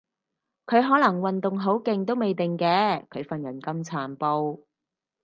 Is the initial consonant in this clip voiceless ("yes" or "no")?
yes